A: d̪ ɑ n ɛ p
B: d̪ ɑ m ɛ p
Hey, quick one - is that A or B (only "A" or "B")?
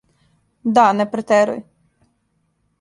A